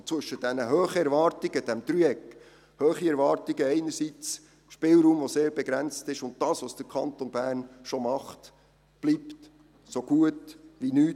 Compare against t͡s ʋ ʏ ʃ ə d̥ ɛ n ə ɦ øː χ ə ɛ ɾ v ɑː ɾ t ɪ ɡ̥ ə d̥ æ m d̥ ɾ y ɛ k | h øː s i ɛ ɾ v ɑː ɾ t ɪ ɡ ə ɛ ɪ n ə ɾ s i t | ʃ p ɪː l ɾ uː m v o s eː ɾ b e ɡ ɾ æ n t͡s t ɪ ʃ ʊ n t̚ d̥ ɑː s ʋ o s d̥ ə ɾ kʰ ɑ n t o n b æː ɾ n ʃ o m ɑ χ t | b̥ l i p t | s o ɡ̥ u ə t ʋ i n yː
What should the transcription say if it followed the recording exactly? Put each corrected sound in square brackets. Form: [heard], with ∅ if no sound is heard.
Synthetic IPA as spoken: t͡s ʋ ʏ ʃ ə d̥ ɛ n ə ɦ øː χ ə ɛ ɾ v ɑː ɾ t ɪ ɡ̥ ə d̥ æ m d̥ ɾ y ɛ k | h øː [χ] i ɛ ɾ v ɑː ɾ t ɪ ɡ ə ɛ ɪ n ə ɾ s i [t͡s] | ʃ p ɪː l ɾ uː m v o s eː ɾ b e ɡ ɾ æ n t͡s t ɪ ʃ ʊ n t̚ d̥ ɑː s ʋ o s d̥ ə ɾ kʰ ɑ n t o n b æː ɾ n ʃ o m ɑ χ t | b̥ l i p t | s o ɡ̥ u ə t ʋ i n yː